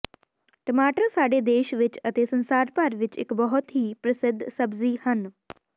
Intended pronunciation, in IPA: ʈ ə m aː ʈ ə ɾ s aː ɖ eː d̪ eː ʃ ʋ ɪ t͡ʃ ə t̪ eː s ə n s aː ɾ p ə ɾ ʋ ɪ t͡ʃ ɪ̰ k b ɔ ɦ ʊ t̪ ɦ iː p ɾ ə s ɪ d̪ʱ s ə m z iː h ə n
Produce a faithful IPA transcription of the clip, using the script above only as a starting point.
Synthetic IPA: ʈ ə m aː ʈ ə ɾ s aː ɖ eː d̪ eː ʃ ʋ ɪ t͡ʃ ə t̪ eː s ə n s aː ɾ p ə ɾ ʋ ɪ t͡ʃ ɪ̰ k b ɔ ɦ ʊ t̪ ɦ iː p ɾ ə s ɪ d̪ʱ s ə b z iː h ə n